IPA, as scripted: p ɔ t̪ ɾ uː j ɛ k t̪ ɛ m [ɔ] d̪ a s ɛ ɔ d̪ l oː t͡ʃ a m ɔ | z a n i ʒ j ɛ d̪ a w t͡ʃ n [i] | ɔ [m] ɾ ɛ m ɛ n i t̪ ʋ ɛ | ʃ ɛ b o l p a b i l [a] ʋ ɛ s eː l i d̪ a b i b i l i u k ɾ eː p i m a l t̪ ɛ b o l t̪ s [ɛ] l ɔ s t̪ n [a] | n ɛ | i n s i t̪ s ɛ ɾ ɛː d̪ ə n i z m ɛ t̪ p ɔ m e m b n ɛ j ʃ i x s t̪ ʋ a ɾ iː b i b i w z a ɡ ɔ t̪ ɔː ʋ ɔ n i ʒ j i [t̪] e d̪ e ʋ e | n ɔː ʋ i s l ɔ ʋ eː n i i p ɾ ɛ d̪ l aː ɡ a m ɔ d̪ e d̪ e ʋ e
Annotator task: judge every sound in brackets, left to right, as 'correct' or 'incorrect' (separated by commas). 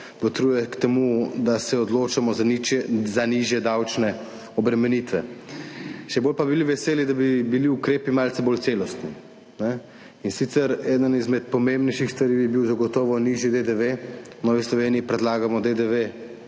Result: incorrect, incorrect, incorrect, incorrect, incorrect, incorrect, incorrect